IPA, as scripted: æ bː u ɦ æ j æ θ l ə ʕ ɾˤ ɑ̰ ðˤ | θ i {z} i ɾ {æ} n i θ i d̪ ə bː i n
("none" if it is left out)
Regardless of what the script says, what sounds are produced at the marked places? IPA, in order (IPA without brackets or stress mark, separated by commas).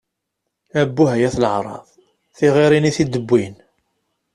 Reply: ʁ, i